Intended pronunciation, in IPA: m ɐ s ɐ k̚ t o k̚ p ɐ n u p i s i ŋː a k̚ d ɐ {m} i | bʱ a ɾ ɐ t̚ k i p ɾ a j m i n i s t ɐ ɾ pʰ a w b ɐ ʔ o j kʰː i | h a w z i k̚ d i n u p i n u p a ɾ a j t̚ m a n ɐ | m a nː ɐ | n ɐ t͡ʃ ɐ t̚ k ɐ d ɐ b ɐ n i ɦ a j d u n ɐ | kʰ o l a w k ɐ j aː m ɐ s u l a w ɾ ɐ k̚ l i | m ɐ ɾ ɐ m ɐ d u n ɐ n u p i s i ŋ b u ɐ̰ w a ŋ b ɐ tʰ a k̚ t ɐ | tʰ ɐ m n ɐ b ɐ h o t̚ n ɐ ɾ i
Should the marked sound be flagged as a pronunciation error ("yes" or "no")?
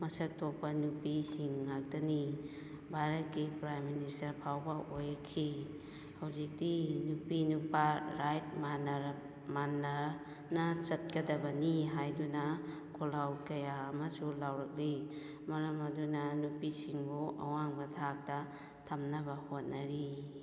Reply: yes